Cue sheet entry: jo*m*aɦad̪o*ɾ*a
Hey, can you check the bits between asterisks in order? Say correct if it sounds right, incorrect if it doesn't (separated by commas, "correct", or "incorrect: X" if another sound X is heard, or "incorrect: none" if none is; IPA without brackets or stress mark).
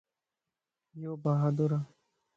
incorrect: b, correct